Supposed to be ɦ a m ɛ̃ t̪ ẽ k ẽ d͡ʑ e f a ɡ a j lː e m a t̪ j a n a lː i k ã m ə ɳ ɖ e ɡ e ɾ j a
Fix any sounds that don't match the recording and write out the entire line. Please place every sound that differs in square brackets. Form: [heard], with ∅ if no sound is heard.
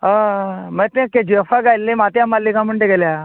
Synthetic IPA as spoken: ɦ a m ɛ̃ t̪ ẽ k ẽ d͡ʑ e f a ɡ a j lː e m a t̪ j a [m] a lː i k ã m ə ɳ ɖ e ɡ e [l] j a